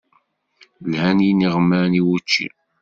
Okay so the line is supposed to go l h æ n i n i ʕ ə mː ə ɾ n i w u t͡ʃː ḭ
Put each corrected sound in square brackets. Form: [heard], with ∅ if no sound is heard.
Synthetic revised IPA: l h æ n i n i [ʁ] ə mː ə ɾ n i w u t͡ʃː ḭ